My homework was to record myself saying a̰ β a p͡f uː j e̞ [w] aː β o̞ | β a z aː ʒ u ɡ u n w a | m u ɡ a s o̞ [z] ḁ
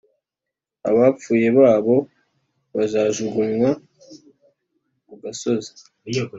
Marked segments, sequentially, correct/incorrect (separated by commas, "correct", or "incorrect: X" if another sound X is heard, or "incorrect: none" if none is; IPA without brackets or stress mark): incorrect: β, correct